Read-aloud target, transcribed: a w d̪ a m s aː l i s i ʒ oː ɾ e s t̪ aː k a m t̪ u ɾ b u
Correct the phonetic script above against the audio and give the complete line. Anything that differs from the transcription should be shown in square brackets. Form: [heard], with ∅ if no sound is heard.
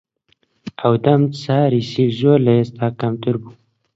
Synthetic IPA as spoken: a w d̪ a m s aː [ɾ] i s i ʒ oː [l] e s t̪ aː k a m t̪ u ɾ b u